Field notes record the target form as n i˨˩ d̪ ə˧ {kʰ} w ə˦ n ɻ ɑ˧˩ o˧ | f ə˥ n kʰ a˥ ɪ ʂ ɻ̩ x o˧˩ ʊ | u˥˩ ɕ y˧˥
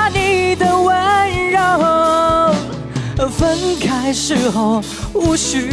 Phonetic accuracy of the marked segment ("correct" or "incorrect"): incorrect